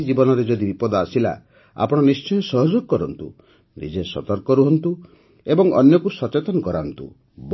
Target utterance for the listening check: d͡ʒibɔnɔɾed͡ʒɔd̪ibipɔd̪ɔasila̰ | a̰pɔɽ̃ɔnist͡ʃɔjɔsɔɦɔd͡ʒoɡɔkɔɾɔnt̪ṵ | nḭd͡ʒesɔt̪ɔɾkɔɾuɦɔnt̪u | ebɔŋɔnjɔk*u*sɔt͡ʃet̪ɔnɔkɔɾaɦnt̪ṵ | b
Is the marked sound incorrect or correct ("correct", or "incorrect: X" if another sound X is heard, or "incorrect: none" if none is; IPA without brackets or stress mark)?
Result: correct